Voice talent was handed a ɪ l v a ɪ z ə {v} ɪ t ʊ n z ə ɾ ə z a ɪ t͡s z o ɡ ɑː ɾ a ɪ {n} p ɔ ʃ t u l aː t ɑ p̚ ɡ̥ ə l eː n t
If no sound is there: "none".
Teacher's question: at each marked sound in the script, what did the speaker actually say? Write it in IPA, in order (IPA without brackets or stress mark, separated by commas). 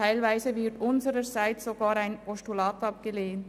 v, n